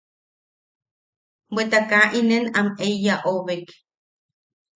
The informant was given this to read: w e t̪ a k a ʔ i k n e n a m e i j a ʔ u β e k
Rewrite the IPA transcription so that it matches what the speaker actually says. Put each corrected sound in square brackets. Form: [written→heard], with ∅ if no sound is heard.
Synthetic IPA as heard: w e t̪ a k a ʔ i [k→∅] n e n a m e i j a ʔ [u→o] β e k